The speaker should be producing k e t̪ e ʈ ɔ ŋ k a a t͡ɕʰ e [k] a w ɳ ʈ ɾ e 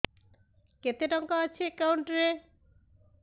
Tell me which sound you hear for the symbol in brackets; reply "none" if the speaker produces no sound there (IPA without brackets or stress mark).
k